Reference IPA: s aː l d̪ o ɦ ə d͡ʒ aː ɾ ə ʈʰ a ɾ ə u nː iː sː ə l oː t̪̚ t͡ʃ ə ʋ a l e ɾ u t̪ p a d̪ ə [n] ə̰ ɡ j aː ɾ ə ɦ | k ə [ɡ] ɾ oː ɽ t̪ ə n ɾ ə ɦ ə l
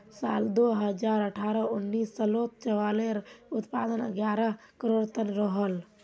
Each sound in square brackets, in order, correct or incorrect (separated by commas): correct, incorrect